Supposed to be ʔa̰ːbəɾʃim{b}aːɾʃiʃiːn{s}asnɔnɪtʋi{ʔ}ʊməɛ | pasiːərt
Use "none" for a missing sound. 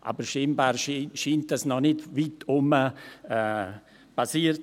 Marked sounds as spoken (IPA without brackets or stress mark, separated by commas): b, t, t